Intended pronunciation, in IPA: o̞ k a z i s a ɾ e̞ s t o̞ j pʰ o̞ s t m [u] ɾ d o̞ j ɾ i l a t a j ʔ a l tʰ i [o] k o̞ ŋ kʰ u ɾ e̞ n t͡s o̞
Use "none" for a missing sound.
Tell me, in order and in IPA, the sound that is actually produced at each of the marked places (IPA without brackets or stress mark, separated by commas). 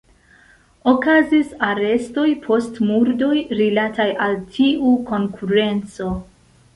u, u